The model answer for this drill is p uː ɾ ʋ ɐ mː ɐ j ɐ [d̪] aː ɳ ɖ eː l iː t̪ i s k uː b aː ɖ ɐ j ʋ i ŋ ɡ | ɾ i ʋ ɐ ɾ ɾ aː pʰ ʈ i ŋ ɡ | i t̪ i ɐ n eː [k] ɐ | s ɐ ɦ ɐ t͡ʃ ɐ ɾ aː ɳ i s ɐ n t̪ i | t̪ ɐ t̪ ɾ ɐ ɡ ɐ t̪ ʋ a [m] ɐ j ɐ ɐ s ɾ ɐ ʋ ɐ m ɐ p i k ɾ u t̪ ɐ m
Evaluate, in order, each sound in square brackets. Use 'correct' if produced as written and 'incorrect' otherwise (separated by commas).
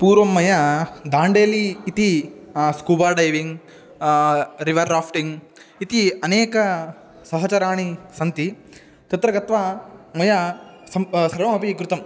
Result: correct, correct, correct